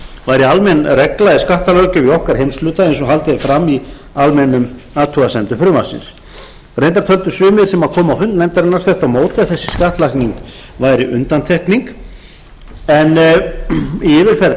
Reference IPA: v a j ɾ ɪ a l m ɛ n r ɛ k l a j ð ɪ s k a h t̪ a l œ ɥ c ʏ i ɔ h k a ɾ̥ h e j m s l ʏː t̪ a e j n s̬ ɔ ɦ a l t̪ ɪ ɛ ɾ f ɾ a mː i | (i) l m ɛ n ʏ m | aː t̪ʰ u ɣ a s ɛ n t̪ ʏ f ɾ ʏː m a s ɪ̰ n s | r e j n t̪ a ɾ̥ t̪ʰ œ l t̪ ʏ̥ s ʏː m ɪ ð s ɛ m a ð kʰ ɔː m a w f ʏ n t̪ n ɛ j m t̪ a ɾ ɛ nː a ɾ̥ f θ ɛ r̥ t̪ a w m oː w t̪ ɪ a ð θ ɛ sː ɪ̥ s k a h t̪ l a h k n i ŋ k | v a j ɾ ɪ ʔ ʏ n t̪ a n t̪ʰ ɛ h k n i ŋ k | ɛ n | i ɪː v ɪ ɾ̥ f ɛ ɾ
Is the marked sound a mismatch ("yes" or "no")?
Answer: yes